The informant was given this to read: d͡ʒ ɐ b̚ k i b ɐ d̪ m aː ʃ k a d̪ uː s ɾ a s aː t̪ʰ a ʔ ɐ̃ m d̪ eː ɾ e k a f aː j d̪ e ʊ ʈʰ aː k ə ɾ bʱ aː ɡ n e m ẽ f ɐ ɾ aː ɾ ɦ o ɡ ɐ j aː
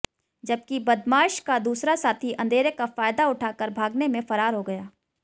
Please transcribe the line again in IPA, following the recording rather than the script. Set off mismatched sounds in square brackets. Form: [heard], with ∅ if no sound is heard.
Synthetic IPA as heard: d͡ʒ ɐ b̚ k i b ɐ d̪ m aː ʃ k a d̪ uː s ɾ a s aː t̪ʰ [i] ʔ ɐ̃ [n] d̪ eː ɾ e k a f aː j d̪ [a] ʊ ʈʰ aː k ə ɾ bʱ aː ɡ n e m ẽ f ɐ ɾ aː ɾ ɦ o ɡ ɐ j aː